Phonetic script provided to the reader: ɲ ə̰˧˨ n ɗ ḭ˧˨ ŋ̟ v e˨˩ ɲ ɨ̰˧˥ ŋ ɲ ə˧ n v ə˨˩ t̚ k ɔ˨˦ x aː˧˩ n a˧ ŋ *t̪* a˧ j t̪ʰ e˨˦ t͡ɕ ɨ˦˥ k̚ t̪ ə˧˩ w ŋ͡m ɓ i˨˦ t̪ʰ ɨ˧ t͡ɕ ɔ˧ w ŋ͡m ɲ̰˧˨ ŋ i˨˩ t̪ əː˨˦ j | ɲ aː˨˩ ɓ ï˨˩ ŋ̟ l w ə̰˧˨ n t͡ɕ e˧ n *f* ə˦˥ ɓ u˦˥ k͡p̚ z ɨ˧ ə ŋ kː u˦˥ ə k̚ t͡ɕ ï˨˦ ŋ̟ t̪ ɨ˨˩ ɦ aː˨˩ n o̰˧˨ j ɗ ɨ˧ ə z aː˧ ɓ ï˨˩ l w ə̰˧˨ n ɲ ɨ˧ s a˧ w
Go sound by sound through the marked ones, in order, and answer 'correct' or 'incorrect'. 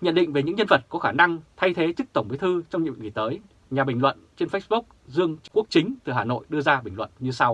incorrect: t̪ʰ, correct

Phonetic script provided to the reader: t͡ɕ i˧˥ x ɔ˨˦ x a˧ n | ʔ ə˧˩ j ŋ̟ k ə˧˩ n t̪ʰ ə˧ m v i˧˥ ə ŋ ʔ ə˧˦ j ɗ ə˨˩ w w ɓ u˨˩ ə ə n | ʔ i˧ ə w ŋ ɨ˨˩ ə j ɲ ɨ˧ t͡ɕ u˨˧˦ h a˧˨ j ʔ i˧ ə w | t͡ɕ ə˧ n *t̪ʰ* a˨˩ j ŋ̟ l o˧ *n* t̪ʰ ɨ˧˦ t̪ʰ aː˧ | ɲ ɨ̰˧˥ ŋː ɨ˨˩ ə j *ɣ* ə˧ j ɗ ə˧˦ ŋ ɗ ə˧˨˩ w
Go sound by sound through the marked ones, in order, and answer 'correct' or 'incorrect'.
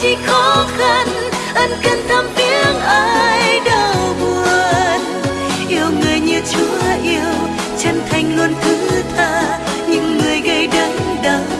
correct, correct, correct

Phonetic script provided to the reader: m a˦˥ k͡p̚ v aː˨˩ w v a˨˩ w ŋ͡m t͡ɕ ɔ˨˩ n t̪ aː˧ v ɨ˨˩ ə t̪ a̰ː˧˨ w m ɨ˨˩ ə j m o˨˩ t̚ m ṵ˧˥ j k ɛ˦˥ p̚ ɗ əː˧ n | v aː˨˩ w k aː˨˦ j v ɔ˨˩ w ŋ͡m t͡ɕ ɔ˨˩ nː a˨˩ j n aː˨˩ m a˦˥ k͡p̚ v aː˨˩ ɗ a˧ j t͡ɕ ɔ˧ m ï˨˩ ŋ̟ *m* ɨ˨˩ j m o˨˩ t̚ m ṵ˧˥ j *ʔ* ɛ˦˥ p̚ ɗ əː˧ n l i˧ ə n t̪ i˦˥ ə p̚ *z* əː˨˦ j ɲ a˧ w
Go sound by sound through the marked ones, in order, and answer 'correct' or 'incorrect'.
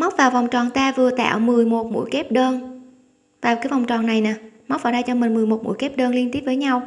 correct, incorrect: k, incorrect: v

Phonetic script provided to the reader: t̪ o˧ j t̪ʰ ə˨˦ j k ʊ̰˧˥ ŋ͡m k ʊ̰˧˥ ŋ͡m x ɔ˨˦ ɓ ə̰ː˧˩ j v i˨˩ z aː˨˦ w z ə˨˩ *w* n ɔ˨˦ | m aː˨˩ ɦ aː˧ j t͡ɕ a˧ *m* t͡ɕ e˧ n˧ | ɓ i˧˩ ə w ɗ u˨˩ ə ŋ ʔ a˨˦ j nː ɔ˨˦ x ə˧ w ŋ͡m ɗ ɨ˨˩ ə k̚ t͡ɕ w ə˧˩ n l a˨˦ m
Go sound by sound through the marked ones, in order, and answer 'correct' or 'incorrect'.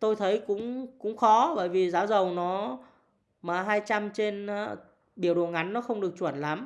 correct, correct

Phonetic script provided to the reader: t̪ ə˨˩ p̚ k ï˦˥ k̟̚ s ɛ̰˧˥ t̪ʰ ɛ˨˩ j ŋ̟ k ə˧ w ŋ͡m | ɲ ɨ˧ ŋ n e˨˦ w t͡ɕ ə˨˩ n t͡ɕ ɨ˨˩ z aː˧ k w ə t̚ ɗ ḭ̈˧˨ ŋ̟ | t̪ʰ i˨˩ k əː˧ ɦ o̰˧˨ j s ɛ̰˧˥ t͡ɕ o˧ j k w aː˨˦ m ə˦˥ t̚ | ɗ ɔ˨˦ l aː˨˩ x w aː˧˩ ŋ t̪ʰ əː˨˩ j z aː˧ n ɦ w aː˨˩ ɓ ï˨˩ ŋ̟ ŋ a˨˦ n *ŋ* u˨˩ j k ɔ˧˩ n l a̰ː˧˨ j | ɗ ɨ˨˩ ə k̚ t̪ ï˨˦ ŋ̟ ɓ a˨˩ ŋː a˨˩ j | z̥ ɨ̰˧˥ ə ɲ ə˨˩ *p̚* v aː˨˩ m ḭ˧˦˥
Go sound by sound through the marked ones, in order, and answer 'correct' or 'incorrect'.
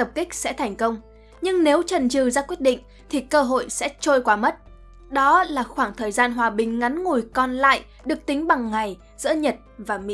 correct, incorrect: t̚

